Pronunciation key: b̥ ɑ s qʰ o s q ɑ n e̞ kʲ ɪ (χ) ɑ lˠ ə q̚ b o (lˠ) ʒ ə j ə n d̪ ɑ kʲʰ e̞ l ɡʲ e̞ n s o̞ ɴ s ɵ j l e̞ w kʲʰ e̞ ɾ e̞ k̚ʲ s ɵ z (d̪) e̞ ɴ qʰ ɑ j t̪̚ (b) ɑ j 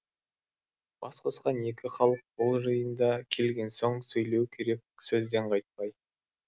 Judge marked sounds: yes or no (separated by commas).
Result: yes, yes, yes, no